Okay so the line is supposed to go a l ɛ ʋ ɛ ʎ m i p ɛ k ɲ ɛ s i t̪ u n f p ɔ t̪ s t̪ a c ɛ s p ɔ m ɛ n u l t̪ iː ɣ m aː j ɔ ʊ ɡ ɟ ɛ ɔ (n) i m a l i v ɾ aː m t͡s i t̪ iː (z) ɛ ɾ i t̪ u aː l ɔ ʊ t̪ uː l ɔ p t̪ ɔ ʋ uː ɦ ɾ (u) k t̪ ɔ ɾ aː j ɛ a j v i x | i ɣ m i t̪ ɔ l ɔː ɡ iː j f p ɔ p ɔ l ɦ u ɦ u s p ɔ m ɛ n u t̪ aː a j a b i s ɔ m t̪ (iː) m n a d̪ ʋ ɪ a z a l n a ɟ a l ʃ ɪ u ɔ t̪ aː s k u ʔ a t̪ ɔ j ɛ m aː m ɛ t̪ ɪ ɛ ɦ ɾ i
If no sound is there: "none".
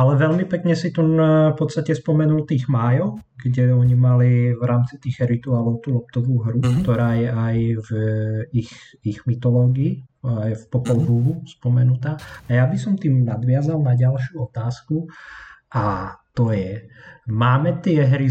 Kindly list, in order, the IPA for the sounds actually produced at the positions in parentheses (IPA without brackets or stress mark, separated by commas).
ɲ, ɣ, u, iː